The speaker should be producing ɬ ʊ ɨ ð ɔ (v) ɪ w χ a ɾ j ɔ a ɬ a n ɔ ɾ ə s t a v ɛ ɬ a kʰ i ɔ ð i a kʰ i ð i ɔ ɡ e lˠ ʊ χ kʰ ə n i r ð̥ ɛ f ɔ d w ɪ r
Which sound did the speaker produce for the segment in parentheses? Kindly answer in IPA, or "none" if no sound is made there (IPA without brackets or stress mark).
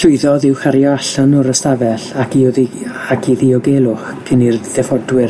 ð